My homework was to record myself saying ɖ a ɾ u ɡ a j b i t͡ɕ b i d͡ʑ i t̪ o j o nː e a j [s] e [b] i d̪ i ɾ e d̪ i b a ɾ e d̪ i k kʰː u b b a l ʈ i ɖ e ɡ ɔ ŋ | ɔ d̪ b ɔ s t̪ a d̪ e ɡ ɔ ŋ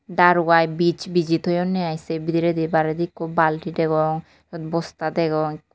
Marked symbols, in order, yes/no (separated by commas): yes, yes